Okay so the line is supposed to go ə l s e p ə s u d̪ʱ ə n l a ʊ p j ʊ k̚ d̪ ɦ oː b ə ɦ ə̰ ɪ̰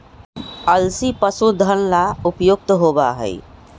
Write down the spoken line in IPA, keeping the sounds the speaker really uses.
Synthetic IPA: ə l s i p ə s u d̪ʱ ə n l a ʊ p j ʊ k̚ t̪ ɦ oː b a ɦ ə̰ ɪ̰